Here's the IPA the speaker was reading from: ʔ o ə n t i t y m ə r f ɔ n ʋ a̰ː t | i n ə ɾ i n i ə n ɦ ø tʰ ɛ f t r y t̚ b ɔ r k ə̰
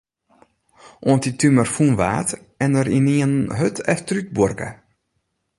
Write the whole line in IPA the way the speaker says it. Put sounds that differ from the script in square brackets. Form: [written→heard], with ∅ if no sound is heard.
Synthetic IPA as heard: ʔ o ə n t i t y m ə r f [ɔ→u] n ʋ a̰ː t | [i→ɛ] n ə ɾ i n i ə n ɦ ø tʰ ɛ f t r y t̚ b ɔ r k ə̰